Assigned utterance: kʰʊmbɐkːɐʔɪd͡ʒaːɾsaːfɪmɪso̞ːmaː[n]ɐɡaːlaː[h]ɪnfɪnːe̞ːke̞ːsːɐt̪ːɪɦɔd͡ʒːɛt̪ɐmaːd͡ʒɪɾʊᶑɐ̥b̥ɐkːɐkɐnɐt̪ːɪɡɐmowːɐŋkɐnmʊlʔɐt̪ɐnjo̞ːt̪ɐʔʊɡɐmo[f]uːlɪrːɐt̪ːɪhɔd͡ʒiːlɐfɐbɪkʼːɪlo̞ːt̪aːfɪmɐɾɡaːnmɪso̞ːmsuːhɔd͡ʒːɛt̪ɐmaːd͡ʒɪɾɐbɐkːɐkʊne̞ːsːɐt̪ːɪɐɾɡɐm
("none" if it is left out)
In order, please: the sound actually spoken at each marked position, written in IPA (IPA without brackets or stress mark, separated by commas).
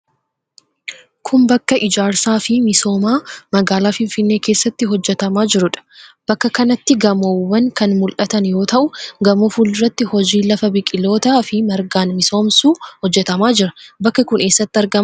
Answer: m, f, f